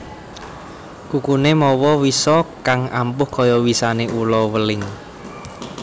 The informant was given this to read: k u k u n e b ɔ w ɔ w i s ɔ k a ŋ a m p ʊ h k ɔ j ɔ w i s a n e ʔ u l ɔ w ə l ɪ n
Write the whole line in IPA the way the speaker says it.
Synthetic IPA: k u k u n e m ɔ w ɔ w i s ɔ k a ŋ a m p ʊ h k ɔ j ɔ w i s a n e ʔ u l ɔ w ə l ɪ ŋ